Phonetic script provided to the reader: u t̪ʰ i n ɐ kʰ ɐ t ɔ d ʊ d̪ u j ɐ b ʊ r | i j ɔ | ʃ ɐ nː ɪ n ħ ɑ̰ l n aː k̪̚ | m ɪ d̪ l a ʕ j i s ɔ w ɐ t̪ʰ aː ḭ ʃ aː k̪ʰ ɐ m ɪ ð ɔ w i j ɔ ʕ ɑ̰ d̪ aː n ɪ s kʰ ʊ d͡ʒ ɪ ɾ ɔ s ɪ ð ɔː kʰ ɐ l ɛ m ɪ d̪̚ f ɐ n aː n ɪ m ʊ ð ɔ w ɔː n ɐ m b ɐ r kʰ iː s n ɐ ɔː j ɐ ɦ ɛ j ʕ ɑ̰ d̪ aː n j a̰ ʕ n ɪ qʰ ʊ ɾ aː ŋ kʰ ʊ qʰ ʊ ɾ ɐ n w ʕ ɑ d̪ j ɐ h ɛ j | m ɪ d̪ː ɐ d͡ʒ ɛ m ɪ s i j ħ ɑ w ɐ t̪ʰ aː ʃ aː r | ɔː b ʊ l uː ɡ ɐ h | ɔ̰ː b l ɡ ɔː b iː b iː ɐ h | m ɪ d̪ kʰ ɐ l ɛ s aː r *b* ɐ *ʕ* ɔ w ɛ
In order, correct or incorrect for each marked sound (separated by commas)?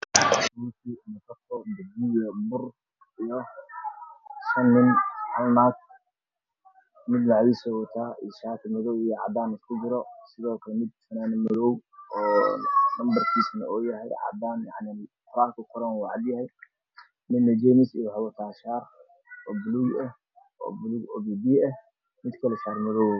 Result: incorrect, incorrect